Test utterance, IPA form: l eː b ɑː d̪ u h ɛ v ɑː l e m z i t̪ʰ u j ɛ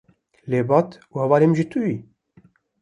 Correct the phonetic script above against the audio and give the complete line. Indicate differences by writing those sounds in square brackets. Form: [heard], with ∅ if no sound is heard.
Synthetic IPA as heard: l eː b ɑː [t̪] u h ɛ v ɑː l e m [ʒ] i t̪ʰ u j [i]